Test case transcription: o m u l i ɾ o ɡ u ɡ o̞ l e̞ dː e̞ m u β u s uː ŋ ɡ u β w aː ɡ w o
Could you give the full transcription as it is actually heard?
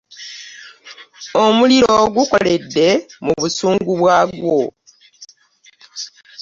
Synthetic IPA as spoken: o m u l i ɾ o ɡ u k o̞ l e̞ dː e̞ m u β u s uː ŋ ɡ u β w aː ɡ w o